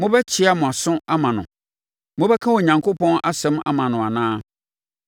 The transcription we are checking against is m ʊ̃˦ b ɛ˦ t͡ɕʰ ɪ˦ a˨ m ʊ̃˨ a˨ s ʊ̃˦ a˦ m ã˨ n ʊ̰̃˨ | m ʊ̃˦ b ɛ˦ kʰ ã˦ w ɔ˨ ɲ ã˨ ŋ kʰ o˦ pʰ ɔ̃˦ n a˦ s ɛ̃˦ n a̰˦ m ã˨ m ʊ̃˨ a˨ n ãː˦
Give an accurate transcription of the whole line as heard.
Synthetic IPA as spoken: m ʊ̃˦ b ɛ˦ t͡ɕʰ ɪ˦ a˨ m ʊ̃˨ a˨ s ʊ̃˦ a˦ m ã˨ n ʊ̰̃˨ | m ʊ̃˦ b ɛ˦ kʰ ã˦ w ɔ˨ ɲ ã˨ ŋ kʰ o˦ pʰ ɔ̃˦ n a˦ s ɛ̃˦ m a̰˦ m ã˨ n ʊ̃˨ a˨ n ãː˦